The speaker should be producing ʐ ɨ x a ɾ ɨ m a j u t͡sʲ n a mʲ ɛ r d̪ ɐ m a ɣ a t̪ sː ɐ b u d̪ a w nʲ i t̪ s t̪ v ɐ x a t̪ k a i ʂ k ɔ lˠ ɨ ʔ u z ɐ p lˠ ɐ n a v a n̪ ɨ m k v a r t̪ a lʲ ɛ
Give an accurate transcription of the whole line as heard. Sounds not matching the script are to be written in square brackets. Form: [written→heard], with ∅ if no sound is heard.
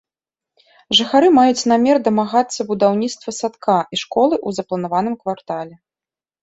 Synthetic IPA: ʐ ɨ x a ɾ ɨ m a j u t͡sʲ n a mʲ ɛ r d̪ ɐ m a ɣ a t̪ sː ɐ b u d̪ a w nʲ i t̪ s t̪ v ɐ [x→s] a t̪ k a i ʂ k ɔ lˠ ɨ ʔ u z ɐ p lˠ ɐ n a v a n̪ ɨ m k v a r t̪ a lʲ ɛ